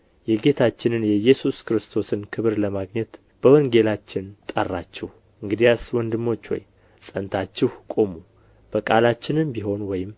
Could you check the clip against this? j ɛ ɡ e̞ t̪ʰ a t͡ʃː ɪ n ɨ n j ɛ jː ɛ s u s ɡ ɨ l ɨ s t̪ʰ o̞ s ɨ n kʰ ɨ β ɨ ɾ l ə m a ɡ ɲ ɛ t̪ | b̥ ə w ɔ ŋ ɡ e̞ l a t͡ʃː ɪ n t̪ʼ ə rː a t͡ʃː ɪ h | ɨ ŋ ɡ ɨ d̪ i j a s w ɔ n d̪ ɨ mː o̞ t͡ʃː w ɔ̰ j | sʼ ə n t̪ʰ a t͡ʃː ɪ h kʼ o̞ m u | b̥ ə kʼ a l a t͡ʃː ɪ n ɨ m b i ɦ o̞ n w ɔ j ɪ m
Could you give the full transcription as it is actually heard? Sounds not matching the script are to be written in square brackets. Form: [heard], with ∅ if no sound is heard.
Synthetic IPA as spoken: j ɛ ɡ e̞ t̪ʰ a t͡ʃː ɪ n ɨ n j ɛ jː ɛ s u s [k] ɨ [ɾ] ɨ s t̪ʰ o̞ s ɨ n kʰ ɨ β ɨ ɾ l ə m a ɡ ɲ ɛ t̪ | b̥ ə w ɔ ŋ ɡ e̞ l a t͡ʃː ɪ n t̪ʼ ə rː a t͡ʃː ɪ h | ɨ ŋ ɡ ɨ d̪ i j a s w ɔ n d̪ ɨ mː o̞ t͡ʃː w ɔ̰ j | sʼ ə n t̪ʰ a t͡ʃː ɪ h kʼ o̞ m u | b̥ ə kʼ a l a t͡ʃː ɪ n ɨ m b i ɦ o̞ n w ɔ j ɪ m